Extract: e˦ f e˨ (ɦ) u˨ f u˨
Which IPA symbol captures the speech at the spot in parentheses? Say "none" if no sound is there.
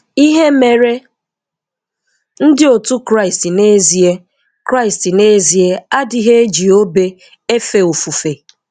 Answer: none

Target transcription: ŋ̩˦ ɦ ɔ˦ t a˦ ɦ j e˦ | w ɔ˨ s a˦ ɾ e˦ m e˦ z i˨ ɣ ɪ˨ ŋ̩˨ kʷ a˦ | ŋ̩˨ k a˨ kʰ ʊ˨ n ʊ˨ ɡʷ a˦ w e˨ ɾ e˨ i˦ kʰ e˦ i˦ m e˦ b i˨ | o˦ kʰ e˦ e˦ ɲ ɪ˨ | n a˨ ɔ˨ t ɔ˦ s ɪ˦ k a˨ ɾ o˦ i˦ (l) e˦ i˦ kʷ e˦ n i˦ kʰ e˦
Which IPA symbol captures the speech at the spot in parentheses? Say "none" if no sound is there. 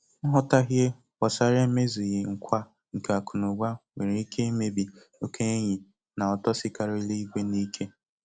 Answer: l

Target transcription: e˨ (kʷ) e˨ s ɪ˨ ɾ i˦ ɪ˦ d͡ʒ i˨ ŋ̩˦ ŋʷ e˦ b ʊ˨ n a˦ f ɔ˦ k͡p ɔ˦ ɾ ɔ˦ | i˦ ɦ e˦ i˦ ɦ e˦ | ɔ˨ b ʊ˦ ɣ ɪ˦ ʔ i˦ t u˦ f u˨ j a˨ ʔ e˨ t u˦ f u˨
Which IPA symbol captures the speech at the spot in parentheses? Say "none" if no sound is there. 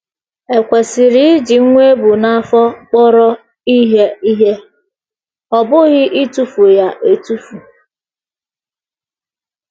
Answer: kʷ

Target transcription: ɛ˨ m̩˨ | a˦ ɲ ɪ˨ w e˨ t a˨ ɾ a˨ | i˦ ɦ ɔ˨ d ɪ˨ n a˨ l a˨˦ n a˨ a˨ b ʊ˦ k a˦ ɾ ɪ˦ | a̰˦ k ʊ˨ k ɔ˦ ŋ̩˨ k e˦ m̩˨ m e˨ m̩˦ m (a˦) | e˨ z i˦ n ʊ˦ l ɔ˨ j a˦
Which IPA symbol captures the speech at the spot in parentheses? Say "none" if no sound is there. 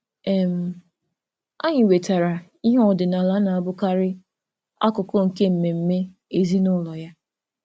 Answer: e˦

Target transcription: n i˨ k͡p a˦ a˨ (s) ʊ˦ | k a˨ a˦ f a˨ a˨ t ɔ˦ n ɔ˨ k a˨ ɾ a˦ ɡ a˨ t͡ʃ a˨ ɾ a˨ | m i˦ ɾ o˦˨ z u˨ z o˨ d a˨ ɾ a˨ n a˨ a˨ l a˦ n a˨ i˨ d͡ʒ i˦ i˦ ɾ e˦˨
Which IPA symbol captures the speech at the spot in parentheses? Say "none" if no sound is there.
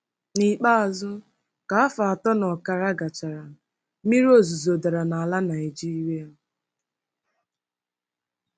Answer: z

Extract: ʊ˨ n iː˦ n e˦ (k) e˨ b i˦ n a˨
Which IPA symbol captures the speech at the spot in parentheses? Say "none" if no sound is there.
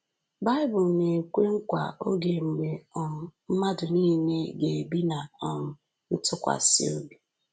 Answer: ɡ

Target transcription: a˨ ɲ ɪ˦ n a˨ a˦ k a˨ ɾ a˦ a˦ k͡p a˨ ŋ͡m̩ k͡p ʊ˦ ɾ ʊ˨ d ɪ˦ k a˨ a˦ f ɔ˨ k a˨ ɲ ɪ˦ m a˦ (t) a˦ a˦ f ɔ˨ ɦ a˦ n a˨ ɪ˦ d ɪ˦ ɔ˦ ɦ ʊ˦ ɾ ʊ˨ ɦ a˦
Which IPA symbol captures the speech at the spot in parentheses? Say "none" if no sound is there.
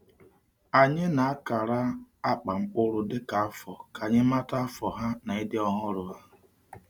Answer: t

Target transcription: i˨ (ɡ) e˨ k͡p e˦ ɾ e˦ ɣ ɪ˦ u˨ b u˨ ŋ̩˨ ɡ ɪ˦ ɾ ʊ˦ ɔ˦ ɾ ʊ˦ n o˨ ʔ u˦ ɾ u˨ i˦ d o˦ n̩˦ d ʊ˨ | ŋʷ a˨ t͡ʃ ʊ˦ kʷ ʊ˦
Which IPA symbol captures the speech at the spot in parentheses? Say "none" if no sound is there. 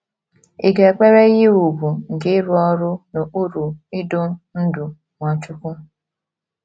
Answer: ɡ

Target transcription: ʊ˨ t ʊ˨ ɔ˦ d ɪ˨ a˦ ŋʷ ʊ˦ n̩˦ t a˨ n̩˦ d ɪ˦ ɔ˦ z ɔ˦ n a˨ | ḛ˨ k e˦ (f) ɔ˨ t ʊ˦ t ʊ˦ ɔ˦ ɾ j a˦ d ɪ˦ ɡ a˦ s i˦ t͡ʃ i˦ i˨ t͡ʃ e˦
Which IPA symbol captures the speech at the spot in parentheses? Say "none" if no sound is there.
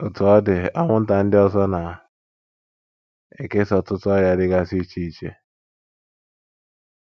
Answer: s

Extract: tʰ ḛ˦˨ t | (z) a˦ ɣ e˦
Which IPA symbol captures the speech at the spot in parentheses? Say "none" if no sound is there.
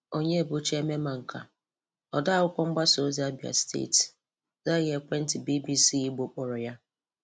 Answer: z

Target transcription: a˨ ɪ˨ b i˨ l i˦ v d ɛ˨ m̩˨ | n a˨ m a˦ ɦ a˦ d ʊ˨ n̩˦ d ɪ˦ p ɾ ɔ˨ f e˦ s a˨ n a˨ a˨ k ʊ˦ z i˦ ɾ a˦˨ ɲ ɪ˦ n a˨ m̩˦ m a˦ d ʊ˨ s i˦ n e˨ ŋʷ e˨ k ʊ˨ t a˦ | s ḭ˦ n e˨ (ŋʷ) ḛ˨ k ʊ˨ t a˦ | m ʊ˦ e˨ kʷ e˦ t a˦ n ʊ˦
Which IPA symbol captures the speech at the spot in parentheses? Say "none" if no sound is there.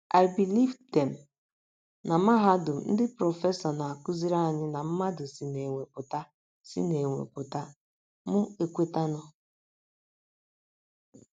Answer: ŋʷ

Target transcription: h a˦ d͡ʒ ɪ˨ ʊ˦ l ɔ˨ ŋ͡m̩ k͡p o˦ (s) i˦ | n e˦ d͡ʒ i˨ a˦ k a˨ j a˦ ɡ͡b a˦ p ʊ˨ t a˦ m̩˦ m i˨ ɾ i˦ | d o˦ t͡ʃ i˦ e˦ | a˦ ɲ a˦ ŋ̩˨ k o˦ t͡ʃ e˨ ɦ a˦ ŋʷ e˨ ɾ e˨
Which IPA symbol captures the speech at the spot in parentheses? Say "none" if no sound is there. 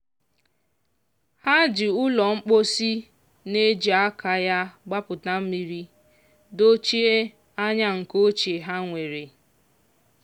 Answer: s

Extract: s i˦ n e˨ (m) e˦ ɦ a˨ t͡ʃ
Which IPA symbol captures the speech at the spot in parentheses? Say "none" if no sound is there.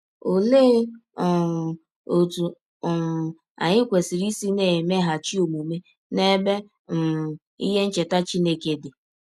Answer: m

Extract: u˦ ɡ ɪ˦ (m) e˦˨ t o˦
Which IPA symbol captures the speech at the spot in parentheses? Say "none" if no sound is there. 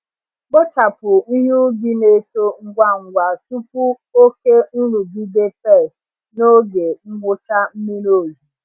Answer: n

